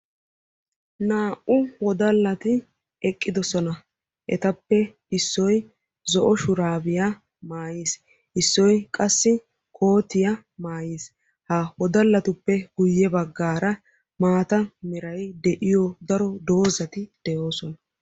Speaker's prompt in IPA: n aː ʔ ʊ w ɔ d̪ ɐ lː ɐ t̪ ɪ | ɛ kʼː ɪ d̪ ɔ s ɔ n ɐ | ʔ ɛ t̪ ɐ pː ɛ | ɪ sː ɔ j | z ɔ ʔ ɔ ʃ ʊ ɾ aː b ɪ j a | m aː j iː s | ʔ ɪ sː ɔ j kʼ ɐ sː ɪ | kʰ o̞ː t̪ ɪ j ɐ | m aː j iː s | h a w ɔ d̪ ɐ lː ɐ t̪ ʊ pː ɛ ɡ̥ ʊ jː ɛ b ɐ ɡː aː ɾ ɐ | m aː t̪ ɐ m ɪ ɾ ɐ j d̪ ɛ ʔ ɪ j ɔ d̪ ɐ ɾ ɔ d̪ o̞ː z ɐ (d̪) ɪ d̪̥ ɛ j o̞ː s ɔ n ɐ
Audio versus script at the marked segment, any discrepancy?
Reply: yes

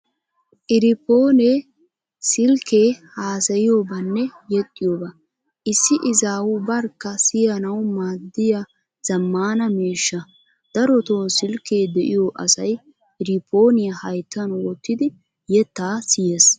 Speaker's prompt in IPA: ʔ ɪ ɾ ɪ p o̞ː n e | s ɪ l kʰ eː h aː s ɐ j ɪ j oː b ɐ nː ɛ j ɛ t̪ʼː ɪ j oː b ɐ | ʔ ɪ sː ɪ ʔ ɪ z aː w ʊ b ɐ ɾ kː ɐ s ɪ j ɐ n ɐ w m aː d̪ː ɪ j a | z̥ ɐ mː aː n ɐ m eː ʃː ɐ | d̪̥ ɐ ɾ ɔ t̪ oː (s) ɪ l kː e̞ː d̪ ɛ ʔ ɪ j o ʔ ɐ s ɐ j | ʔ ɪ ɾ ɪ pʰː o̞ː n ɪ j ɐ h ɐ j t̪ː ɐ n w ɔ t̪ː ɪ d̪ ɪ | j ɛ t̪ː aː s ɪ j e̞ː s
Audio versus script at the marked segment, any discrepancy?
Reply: no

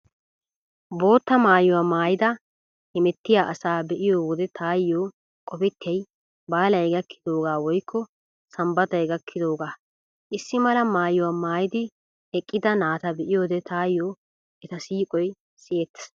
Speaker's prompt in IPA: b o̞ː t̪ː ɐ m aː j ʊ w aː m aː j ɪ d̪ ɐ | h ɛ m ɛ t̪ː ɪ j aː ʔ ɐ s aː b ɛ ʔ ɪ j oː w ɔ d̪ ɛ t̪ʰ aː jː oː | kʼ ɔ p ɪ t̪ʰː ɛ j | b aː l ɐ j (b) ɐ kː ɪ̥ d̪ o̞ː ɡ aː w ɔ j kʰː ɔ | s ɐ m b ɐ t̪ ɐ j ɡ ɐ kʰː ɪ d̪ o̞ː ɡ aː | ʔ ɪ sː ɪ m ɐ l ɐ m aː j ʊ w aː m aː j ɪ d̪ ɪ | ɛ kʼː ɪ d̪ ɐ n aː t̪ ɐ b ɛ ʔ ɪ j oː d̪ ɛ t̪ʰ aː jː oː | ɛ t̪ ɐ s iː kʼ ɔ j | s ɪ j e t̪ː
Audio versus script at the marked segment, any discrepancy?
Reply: yes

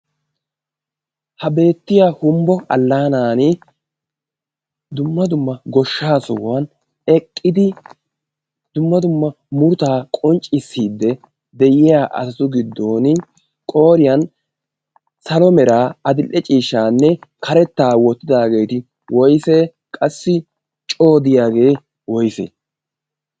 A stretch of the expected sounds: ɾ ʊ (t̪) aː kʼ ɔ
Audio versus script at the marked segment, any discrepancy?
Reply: no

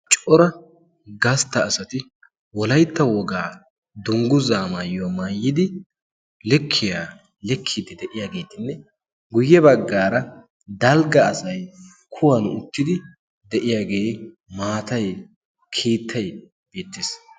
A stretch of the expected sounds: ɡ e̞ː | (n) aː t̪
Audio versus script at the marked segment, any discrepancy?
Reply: yes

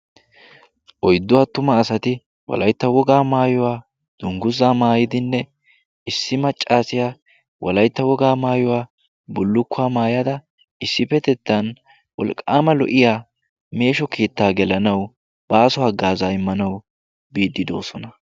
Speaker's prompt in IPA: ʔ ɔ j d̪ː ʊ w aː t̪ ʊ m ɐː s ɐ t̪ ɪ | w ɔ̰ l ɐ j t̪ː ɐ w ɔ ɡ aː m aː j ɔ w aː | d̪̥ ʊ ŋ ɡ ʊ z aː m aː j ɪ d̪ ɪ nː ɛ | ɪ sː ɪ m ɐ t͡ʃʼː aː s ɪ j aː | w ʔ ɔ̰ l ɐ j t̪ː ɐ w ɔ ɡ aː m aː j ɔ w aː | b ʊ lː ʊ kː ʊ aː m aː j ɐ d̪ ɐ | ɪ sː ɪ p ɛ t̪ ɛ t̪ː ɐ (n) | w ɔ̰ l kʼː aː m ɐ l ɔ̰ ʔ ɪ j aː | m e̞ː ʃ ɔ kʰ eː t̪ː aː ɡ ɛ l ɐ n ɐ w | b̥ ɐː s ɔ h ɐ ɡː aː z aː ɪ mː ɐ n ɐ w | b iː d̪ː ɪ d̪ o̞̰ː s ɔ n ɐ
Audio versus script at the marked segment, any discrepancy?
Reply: no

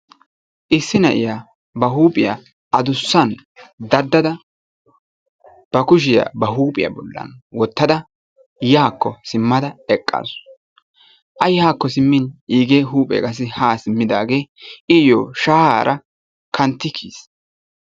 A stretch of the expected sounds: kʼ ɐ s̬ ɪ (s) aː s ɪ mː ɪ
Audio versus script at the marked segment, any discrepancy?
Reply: yes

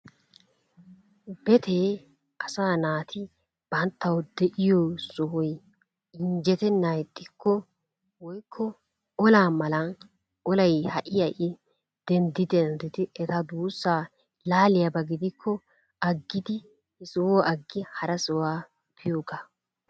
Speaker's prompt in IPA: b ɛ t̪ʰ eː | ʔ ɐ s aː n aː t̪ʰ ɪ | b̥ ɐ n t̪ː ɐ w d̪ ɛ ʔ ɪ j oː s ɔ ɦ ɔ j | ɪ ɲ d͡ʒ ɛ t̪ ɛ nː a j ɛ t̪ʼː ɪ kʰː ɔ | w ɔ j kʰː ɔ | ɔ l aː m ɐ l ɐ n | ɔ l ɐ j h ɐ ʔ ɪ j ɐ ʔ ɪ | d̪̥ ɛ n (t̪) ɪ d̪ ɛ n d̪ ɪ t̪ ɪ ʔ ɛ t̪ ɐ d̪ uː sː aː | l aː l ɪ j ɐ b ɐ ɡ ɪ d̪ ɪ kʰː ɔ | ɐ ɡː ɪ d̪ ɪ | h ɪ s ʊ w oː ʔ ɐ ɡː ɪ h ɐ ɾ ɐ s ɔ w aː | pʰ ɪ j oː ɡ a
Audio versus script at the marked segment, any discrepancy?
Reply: yes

